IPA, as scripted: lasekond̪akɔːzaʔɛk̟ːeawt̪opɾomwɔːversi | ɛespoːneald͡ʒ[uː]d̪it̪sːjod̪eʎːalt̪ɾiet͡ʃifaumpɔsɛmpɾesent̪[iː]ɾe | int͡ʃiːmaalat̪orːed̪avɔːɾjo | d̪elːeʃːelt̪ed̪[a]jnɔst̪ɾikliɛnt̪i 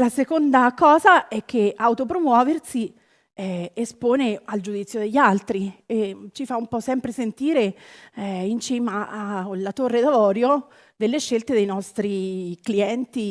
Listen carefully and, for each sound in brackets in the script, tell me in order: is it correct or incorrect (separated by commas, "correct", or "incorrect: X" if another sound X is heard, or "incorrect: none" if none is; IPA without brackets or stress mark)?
incorrect: u, correct, incorrect: e